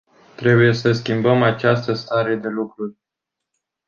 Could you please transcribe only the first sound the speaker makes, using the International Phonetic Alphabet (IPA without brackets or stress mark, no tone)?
t̪